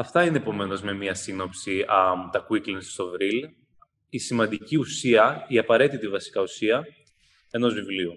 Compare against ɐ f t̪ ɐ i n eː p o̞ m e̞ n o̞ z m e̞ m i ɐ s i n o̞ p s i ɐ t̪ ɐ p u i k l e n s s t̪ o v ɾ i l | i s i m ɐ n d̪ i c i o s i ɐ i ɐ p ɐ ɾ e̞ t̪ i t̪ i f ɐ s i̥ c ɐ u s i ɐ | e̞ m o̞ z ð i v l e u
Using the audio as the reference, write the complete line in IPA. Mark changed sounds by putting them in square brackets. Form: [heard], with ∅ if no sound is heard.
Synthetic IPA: ɐ f t̪ ɐ i n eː p o̞ m e̞ n o̞ z m e̞ m i ɐ s i n o̞ p s i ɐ t̪ ɐ [k] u i k l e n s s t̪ o v ɾ i l | i s i m ɐ n d̪ i c i [u] s i ɐ i ɐ p ɐ ɾ e̞ t̪ i t̪ i [v] ɐ s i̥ [k] ɐ u s i ɐ | e̞ [n] o̞ z [v] i v l [i] u